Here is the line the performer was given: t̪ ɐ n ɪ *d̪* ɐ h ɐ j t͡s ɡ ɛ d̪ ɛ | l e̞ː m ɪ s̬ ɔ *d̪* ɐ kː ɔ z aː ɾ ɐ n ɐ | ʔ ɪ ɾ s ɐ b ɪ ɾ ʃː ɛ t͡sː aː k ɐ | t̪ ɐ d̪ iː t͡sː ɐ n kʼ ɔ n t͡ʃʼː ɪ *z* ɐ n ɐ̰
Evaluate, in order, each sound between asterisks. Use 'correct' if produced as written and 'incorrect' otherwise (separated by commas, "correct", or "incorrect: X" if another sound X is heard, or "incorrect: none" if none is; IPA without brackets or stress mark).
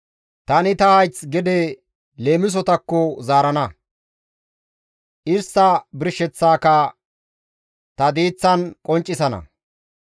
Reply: incorrect: t̪, incorrect: t̪, incorrect: s